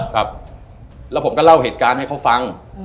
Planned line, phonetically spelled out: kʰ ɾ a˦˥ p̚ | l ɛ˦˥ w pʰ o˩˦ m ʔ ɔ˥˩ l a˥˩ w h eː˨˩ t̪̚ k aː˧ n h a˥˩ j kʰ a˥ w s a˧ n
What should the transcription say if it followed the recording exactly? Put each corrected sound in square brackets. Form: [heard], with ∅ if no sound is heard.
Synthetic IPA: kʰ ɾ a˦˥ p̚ | l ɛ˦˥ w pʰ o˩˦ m [k] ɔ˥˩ l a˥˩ w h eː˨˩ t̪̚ k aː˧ n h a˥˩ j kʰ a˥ w [f] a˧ [ŋ]